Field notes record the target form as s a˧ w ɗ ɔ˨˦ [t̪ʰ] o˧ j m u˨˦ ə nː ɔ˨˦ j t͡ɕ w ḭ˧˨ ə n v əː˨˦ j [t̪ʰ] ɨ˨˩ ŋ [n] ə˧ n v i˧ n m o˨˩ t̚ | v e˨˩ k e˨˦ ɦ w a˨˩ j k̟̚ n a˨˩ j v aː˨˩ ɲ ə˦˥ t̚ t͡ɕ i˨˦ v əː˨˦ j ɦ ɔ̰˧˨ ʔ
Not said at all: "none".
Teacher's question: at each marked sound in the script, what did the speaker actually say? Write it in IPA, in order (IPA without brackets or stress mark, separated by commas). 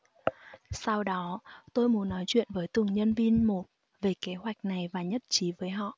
t̪, t̪, ɲ